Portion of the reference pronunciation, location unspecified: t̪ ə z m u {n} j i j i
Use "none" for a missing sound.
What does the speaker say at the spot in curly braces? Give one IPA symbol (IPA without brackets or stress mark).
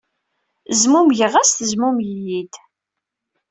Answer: m